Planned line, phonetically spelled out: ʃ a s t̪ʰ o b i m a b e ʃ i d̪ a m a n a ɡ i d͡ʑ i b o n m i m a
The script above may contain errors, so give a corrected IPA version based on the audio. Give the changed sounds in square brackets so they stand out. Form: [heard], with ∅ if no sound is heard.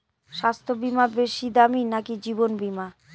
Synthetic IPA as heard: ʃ a s t̪ʰ o b i m a b e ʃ i d̪ a m [i] n a [k] i d͡ʑ i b o n [b] i m a